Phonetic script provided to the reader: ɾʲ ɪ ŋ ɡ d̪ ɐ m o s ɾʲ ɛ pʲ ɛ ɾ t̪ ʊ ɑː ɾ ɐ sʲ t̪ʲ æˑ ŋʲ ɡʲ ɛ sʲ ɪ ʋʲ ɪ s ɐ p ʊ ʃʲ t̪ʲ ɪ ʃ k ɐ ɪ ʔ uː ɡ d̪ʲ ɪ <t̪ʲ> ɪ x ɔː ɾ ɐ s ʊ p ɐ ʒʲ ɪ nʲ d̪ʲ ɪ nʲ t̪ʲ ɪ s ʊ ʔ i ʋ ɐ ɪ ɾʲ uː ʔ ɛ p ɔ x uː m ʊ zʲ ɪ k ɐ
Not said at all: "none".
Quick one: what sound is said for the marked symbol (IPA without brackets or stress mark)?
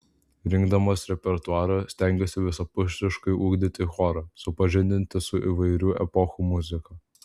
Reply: t̪ʲ